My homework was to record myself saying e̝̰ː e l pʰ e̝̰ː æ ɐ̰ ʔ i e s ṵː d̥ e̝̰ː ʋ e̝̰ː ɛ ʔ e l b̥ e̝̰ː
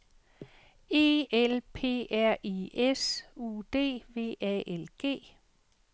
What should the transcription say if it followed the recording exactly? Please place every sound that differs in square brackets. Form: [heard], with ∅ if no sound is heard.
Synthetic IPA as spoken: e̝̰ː e l pʰ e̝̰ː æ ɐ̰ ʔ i e s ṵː d̥ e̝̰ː ʋ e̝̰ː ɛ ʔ e l [ɡ̥] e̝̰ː